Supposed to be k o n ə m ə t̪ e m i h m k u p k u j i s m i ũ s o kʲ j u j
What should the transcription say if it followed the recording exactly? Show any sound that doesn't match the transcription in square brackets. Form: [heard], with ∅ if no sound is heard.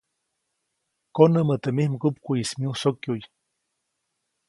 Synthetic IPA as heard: k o n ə m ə t̪ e m i h m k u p k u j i s m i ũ s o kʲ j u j